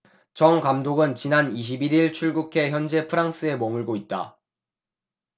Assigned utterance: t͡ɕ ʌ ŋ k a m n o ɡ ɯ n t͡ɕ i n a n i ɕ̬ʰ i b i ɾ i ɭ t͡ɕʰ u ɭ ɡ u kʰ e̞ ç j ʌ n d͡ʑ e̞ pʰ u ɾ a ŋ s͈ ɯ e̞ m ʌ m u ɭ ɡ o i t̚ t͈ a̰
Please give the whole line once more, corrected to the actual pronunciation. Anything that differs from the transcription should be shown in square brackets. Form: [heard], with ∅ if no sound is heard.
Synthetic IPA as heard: t͡ɕ ʌ ŋ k a m [d] o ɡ ɯ n t͡ɕ i n a n i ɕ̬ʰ i b i ɾ i ɭ t͡ɕʰ u ɭ ɡ u kʰ e̞ ç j ʌ n d͡ʑ e̞ pʰ [ɯ] ɾ a ŋ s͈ ɯ e̞ m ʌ m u ɭ ɡ o i t̚ t͈ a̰